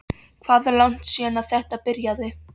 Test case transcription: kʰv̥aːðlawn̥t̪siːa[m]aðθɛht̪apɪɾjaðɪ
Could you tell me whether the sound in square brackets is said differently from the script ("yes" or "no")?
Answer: yes